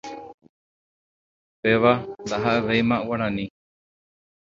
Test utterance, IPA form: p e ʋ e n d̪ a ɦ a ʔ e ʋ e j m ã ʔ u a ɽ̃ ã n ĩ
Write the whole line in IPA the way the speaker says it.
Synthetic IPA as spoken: p e ʋ a n d̪ a ɦ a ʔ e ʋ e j m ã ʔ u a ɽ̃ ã n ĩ